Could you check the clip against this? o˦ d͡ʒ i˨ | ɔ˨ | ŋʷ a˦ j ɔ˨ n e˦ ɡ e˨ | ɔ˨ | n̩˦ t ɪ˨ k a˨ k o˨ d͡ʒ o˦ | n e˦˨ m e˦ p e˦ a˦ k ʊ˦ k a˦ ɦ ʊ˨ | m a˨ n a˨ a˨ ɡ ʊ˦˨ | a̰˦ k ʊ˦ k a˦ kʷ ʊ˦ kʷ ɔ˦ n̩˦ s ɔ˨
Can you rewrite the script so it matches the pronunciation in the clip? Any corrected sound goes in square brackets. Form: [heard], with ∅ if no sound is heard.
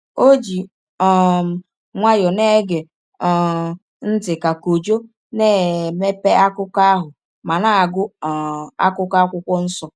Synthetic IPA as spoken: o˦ d͡ʒ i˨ | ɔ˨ | ŋʷ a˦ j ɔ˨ n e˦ ɡ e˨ | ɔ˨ | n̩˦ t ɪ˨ k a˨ k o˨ d͡ʒ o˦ | n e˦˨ m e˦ p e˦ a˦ k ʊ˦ k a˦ ɦ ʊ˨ | m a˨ n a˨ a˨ ɡ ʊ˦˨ | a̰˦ k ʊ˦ k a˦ kʷ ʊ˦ kʷ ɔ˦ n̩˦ s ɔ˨